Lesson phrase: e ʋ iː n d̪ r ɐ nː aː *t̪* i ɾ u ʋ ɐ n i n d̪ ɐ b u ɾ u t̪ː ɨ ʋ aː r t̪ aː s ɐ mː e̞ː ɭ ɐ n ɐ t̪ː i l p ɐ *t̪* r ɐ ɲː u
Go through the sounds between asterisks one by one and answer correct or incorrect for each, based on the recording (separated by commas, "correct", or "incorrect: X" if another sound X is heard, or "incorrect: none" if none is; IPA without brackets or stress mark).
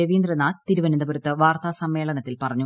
correct, incorrect: none